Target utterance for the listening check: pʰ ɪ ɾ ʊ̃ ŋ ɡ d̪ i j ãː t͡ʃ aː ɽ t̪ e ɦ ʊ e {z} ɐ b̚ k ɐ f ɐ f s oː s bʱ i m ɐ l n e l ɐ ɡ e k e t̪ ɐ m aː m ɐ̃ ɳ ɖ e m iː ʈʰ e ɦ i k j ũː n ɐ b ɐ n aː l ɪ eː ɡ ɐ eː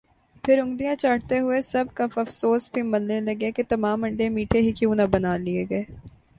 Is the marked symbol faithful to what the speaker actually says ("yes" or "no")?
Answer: no